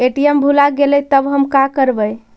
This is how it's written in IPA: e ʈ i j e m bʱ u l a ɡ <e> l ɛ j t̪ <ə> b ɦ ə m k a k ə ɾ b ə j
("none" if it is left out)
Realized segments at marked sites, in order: e, ə

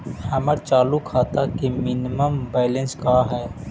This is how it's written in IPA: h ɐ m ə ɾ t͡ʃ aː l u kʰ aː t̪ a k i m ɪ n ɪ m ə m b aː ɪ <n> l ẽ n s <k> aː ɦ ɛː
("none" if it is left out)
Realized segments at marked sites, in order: none, k

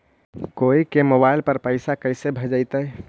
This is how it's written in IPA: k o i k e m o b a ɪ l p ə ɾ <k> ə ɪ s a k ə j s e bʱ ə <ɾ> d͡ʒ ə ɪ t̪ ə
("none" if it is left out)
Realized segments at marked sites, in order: p, none

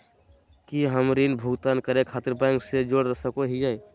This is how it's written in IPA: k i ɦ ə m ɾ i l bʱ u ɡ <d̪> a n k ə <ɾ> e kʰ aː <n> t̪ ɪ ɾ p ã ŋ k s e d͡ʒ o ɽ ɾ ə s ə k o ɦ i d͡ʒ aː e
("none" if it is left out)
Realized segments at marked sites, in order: t̪, ɾ, none

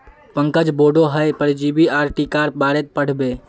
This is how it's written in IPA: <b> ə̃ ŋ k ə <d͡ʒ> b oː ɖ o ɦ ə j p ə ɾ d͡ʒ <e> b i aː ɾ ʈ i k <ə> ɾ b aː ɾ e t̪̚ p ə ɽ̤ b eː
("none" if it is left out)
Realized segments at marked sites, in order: p, d͡ʒ, i, a

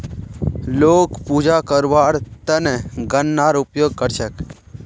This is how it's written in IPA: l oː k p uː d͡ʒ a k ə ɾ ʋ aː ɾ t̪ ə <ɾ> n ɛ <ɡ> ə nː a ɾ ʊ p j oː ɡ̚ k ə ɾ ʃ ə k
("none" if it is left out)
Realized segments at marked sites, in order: none, ɡ

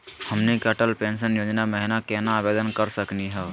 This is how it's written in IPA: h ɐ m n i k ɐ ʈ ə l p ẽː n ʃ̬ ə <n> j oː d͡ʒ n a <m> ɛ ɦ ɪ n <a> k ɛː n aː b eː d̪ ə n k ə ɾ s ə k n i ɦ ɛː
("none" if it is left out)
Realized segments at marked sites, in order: n, m, a

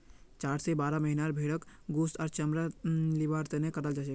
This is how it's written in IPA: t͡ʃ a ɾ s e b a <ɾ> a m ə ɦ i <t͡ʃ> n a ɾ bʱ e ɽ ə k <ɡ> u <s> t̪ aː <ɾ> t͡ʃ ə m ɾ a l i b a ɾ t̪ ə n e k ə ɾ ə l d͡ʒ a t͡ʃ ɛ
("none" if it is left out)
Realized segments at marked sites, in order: ɾ, none, ɡ, s, ɾ

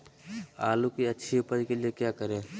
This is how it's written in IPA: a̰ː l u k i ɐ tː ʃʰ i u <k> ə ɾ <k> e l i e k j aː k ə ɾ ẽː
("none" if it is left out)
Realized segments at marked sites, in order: p, k

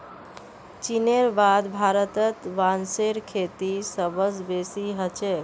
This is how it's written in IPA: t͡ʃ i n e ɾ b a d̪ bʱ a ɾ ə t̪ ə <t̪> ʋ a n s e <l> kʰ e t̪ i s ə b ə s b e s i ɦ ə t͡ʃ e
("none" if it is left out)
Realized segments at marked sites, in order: t̪, ɾ

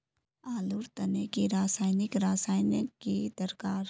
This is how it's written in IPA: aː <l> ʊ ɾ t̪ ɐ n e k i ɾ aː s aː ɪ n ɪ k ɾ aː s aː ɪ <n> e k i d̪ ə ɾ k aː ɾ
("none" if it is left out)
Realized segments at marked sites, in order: l, n

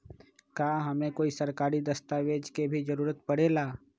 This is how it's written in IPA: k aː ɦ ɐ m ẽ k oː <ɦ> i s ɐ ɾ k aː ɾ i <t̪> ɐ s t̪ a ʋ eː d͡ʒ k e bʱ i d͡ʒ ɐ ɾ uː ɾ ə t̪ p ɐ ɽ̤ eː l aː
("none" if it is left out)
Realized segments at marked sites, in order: none, d̪

